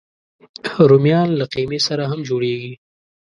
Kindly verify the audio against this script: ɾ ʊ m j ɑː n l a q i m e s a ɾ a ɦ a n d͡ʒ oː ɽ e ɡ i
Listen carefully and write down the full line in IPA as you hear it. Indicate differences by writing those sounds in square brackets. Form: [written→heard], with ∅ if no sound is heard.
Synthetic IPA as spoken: ɾ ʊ m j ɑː n l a q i m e s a ɾ a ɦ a [n→m] d͡ʒ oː ɽ e ɡ i